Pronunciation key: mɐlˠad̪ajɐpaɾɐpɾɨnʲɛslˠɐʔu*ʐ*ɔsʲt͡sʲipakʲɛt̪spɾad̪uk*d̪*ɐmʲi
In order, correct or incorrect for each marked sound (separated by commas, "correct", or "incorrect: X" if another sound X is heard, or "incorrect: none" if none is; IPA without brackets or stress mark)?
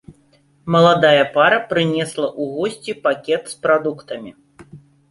incorrect: ɣ, incorrect: t̪